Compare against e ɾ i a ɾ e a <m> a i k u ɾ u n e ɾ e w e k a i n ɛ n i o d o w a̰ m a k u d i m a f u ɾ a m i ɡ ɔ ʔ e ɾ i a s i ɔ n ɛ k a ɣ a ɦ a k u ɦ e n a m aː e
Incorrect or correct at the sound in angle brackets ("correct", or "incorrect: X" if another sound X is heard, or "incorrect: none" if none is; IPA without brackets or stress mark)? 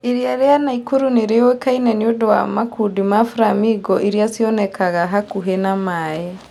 incorrect: n